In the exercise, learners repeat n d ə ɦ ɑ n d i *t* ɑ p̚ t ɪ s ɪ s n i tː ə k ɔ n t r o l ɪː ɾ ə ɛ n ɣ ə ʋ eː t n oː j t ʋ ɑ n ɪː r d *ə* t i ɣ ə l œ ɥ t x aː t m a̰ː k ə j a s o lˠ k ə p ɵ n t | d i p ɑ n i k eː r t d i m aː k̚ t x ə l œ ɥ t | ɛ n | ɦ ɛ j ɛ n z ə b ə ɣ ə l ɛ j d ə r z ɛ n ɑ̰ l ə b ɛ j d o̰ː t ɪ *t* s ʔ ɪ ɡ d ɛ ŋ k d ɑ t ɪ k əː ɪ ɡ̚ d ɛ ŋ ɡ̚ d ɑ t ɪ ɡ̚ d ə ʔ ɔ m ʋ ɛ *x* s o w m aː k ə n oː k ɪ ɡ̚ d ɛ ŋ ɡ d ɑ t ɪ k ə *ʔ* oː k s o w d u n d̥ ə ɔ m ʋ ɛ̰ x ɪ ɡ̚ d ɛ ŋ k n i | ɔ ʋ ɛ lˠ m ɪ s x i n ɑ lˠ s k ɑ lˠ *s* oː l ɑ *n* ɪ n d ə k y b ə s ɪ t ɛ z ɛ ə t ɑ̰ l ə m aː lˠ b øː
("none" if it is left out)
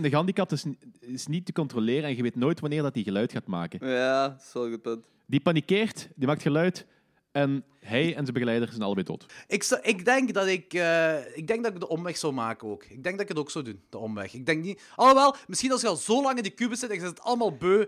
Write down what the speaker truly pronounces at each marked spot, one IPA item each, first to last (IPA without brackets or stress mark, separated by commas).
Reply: k, ɑ, k, x, t, z, ŋ